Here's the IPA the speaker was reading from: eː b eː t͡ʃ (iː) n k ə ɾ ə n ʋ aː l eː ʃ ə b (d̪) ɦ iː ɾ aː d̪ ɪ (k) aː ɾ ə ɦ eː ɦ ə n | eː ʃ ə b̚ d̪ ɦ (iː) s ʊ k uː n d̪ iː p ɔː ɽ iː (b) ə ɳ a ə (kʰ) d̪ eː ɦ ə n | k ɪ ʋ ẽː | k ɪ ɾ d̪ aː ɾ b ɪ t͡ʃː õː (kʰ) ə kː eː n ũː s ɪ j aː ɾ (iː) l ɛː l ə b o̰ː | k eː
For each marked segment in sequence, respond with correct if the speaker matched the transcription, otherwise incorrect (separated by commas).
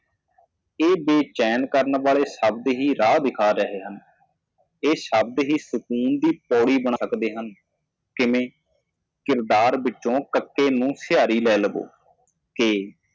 incorrect, correct, incorrect, correct, correct, incorrect, incorrect, correct